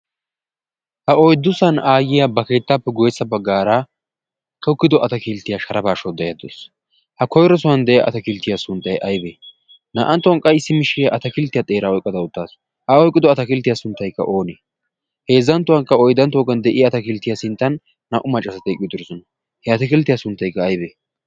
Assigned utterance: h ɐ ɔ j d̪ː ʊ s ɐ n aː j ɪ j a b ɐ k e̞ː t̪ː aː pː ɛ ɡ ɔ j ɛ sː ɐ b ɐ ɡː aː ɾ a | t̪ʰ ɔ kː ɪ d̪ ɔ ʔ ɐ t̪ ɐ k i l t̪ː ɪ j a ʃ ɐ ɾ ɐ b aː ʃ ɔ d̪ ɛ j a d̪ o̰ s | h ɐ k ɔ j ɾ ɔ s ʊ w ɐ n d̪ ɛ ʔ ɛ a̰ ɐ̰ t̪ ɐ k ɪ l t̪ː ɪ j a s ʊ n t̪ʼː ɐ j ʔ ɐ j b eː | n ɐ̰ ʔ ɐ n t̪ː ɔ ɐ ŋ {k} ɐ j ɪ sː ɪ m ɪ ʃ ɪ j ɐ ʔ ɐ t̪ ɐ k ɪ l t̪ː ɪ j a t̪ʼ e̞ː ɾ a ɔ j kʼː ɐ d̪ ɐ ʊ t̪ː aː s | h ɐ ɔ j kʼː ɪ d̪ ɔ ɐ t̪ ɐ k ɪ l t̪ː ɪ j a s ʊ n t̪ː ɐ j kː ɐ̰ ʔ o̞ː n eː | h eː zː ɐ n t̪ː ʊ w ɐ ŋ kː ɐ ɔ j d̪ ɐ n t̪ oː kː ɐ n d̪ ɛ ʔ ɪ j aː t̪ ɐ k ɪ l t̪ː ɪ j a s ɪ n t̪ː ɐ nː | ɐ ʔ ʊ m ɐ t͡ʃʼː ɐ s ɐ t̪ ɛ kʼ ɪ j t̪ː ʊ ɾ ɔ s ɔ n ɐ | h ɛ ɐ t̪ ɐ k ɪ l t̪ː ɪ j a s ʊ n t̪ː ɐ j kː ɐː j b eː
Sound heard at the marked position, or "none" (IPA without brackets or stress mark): kʼ